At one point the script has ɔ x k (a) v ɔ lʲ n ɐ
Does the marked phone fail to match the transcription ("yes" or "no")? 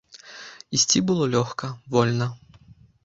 yes